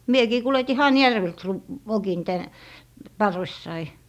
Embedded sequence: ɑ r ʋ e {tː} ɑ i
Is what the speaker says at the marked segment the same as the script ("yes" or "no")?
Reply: no